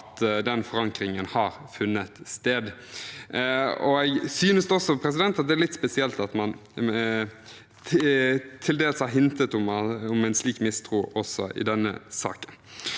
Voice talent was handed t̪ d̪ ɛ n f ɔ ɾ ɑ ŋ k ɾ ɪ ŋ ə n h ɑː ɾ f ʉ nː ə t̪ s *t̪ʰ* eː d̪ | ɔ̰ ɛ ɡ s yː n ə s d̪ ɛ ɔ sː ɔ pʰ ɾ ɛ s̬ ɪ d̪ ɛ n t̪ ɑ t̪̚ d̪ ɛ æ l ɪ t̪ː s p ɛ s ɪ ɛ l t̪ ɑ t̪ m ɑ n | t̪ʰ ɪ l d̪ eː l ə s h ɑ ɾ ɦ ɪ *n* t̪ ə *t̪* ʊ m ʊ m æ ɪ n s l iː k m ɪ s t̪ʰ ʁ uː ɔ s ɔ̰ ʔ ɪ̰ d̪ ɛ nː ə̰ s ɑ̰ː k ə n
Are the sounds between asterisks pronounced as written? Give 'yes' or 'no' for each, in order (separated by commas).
no, yes, yes